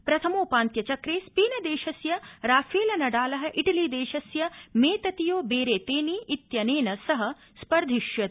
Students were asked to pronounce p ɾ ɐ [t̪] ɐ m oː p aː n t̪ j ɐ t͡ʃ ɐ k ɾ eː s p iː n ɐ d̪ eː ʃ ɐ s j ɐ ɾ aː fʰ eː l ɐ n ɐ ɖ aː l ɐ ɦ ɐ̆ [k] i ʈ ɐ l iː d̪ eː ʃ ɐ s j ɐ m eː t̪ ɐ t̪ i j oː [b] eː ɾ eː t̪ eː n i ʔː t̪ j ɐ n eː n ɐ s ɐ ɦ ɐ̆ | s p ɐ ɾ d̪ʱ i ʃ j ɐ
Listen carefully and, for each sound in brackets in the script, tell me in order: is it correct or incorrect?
incorrect: t̪ʰ, incorrect: ʔ, correct

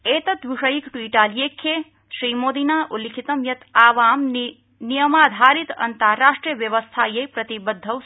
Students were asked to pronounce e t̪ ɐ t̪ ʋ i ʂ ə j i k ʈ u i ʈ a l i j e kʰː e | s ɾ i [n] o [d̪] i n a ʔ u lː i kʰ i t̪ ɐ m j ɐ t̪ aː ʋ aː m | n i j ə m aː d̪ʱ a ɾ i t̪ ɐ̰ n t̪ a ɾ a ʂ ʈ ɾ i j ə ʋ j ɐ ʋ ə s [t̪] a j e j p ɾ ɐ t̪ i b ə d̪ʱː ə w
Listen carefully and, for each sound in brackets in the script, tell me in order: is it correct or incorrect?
incorrect: m, correct, incorrect: t̪ʰ

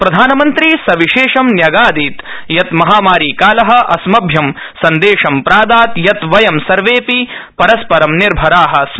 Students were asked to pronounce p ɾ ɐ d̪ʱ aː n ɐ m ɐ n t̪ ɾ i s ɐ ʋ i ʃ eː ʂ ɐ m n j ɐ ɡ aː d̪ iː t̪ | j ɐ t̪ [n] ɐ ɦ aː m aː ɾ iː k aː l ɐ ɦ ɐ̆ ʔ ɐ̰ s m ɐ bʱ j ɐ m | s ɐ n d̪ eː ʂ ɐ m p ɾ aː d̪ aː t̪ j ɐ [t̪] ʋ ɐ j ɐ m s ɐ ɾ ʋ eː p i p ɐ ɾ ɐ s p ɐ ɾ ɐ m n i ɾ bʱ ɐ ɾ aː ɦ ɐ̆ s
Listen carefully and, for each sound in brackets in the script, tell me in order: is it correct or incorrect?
incorrect: m, correct

